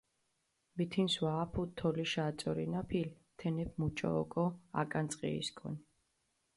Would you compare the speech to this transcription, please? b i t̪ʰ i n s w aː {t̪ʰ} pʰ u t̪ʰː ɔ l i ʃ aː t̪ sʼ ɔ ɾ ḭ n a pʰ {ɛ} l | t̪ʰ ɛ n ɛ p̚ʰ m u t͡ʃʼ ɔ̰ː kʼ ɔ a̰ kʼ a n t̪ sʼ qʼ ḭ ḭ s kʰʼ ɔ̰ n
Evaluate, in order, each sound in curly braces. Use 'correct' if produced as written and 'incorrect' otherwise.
incorrect, incorrect

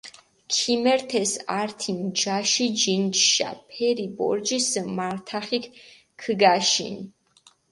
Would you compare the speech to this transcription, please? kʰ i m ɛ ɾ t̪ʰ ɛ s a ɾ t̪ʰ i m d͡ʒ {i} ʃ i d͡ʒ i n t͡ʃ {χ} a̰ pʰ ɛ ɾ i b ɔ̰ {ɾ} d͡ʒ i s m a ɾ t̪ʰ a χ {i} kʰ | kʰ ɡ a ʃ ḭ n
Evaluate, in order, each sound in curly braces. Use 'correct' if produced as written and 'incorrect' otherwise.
incorrect, incorrect, correct, correct

